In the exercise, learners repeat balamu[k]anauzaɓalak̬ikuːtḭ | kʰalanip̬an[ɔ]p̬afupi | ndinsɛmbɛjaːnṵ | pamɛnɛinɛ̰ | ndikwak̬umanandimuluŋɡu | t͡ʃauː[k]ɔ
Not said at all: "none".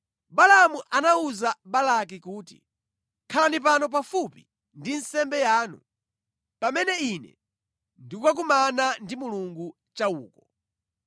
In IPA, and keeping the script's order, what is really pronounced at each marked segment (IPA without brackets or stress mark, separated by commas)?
ʔ, ɔ, k